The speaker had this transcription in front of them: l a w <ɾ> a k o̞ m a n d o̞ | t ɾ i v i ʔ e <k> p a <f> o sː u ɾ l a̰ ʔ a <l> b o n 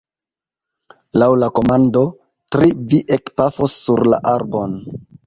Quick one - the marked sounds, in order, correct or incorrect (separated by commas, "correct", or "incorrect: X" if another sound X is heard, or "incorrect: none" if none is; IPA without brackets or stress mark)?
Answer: incorrect: l, correct, correct, incorrect: ɾ